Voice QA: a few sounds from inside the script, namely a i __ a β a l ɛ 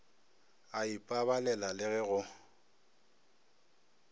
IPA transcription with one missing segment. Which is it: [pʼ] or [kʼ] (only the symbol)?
pʼ